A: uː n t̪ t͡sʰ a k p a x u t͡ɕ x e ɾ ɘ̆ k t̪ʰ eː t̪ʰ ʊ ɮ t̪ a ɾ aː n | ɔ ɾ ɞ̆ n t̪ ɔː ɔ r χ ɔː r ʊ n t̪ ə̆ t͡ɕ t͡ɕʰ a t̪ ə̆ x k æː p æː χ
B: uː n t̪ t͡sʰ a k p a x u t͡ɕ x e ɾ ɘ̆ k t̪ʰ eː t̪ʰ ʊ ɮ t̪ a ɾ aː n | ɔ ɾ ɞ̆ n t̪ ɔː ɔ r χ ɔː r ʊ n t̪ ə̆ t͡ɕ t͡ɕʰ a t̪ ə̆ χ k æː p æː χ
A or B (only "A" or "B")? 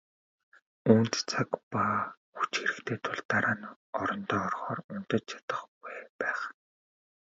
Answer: B